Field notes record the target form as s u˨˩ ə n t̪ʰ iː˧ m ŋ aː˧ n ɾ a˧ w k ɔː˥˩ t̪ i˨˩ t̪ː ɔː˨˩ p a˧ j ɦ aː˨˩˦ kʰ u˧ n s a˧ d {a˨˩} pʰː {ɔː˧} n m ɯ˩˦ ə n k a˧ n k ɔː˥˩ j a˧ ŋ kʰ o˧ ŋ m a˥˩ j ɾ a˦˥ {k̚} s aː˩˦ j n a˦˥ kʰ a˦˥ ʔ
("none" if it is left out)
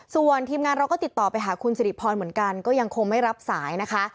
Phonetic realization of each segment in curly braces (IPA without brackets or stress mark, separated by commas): i˨˩, ɔː˧, p̚